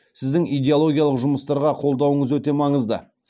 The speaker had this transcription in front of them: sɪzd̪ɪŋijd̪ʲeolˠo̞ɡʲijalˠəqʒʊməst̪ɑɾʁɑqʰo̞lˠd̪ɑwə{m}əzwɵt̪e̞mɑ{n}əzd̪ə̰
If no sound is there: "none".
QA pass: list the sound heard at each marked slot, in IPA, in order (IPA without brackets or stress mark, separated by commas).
ɴ, ɴ